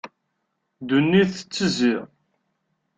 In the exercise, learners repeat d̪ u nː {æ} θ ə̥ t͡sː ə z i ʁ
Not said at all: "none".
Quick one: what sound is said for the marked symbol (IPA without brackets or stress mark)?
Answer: i